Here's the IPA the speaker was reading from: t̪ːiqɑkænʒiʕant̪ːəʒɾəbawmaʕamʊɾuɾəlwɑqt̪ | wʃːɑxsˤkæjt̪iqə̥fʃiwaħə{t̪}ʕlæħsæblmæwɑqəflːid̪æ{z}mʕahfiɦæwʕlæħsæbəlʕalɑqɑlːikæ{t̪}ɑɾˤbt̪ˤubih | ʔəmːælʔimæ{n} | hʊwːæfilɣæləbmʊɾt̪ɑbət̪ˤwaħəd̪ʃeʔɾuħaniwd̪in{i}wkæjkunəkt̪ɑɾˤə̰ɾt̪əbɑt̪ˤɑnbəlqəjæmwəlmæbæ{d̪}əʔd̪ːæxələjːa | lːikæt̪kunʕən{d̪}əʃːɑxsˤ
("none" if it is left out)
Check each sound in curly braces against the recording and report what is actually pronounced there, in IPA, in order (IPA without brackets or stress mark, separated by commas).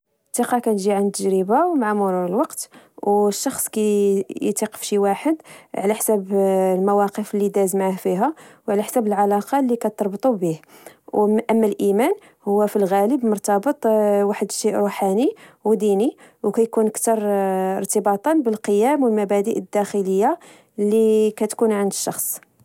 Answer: d̪, z, t̪, n, i, d̪, d̪